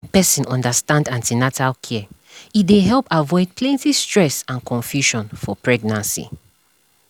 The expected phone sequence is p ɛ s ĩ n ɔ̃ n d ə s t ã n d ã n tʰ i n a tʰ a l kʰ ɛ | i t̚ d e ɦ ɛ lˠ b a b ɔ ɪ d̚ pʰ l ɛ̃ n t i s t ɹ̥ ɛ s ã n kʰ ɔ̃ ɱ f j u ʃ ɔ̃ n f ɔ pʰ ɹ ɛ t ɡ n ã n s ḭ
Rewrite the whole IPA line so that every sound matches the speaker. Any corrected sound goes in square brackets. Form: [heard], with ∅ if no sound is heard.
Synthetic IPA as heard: p ɛ s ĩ n ɔ̃ n d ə s t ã n d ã n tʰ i n a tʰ a l kʰ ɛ | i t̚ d e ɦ ɛ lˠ [p] a [v] ɔ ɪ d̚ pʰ l ɛ̃ n t i s t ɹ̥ ɛ s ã n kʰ ɔ̃ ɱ f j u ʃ ɔ̃ n f ɔ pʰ ɹ ɛ [∅] ɡ n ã n s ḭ